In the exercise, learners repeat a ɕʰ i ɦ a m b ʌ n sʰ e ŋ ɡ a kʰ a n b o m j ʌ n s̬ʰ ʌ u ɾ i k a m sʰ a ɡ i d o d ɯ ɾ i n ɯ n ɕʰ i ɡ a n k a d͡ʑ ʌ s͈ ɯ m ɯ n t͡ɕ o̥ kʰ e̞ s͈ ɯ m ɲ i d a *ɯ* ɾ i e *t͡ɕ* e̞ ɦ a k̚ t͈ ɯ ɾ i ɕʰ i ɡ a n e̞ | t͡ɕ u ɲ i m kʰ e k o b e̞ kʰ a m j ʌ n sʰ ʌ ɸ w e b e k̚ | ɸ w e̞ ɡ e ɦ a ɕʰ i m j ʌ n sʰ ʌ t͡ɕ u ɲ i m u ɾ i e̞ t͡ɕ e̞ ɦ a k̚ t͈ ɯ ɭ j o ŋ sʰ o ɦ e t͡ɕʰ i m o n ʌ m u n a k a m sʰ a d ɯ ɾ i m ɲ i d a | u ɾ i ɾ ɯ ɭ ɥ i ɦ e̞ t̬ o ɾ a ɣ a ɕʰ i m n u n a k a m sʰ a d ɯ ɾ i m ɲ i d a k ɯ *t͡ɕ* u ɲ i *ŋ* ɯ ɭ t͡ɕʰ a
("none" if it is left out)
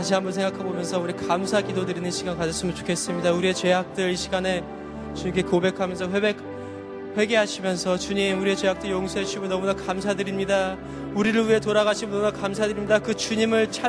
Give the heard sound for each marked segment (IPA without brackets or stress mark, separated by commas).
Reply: u, t͡ɕ, t͡ɕ, m